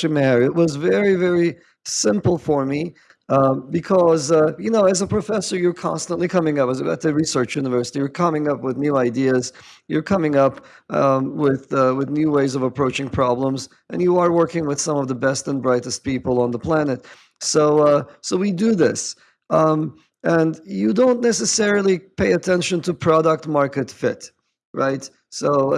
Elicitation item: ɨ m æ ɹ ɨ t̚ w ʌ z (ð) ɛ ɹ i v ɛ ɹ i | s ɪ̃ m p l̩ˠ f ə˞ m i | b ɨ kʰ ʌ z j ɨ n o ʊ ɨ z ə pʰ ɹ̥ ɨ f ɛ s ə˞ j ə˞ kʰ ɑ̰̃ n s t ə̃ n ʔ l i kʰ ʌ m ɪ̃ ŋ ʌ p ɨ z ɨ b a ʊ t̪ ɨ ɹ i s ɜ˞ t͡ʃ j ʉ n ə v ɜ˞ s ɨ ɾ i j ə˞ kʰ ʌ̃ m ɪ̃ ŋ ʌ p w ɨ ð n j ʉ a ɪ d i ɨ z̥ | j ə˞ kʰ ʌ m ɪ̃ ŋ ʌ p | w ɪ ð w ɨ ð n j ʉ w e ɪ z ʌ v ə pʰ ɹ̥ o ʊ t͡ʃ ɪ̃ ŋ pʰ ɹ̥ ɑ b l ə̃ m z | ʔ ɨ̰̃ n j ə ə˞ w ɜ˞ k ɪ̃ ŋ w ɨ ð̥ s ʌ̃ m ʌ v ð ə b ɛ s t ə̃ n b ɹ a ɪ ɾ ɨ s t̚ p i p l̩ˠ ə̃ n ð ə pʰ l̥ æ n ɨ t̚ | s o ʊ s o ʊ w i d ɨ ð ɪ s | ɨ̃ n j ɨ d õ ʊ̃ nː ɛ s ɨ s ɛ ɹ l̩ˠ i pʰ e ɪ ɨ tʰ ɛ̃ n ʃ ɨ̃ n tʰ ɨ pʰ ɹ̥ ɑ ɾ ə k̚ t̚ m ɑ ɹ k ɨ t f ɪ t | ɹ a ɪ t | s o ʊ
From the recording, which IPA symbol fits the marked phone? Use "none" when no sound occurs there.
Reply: v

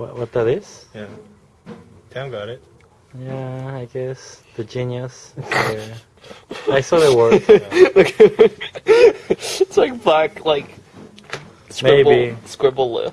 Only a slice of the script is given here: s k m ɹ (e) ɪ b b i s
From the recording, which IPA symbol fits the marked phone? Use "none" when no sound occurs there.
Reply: e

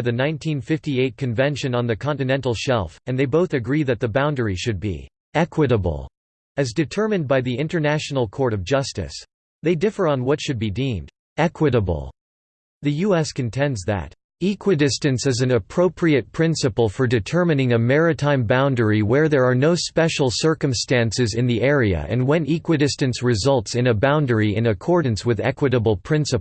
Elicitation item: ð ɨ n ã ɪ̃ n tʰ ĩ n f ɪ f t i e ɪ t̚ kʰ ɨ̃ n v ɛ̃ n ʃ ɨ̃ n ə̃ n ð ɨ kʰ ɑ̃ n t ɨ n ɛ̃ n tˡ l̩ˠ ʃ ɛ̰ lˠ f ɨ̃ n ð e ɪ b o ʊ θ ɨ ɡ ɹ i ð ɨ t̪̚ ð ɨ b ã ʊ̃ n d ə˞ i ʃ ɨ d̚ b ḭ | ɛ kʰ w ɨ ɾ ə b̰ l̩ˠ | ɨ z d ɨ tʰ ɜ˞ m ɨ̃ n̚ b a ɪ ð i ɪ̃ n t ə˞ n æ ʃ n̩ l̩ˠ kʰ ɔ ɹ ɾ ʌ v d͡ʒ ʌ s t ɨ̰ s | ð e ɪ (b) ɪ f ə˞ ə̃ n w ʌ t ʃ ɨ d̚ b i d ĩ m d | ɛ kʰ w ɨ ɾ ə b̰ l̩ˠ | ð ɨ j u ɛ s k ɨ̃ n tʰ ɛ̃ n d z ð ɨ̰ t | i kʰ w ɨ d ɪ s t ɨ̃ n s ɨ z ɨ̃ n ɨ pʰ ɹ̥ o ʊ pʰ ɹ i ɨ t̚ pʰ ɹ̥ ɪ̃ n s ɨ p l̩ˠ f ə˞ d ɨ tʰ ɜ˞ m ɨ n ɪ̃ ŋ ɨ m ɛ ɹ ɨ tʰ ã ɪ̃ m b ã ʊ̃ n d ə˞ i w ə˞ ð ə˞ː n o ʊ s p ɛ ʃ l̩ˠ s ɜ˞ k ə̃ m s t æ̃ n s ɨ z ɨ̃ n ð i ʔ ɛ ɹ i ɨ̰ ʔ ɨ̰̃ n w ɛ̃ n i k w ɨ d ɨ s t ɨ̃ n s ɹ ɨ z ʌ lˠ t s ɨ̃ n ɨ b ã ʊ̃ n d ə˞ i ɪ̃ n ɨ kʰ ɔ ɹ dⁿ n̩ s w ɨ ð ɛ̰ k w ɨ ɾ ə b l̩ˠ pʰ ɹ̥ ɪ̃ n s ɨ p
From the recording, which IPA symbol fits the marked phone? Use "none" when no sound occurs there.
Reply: d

